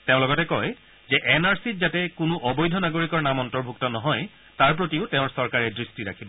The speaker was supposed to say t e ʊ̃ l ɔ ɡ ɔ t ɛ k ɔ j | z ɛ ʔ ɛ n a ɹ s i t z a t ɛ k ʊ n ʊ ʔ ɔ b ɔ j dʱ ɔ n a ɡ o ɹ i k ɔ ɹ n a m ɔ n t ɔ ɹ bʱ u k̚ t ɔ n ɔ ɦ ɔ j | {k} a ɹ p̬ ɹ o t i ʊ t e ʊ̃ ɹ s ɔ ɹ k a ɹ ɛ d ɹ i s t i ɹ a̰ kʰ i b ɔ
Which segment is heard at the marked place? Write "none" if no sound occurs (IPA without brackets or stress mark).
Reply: t